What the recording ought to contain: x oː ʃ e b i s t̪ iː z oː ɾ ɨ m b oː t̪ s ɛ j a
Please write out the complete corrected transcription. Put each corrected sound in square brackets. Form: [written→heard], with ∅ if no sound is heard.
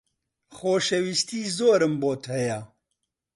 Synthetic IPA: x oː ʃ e [b→w] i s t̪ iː z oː ɾ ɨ m b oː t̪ [s→h] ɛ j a